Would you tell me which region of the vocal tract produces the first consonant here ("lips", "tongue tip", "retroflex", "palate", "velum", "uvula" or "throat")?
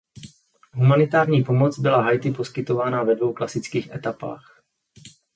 throat